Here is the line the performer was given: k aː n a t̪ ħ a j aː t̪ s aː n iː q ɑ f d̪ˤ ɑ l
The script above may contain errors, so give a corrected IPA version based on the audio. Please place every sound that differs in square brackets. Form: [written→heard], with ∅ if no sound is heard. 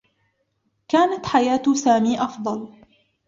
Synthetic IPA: k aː n a t̪ ħ a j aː t̪ s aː [n→m] iː [q→ʔ] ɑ f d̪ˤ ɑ l